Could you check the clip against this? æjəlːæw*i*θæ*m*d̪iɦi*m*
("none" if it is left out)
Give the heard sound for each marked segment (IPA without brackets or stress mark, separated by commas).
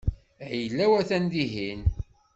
æ, n, n